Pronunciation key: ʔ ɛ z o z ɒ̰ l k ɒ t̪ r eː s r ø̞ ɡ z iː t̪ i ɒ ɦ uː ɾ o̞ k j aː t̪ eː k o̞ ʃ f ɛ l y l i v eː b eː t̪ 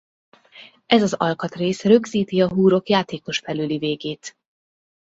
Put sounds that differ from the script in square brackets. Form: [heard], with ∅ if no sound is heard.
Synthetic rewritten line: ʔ ɛ z [ɒ] z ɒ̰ l k ɒ t̪ r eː s r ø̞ ɡ z iː t̪ i ɒ ɦ uː ɾ o̞ k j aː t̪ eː k o̞ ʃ f ɛ l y l i v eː [ɡ] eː t̪